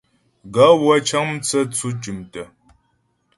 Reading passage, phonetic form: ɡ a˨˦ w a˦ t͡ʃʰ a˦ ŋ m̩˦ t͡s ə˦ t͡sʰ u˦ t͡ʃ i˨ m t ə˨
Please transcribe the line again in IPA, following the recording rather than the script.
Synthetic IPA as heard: ɡ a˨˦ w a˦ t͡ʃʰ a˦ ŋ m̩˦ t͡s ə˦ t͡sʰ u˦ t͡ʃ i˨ m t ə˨